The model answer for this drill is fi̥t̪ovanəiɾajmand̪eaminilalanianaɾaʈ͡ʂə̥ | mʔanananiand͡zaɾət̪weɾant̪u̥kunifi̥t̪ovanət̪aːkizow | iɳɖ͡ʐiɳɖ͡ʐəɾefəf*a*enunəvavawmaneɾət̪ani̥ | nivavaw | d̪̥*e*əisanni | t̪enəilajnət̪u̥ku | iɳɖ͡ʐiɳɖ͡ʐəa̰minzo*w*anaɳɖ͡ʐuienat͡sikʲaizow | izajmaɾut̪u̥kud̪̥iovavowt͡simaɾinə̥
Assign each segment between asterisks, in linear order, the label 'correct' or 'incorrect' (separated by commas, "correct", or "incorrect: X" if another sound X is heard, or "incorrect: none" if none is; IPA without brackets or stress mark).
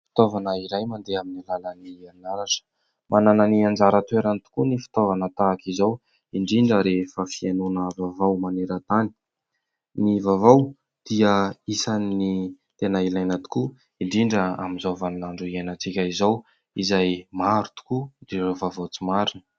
incorrect: i, incorrect: i, incorrect: v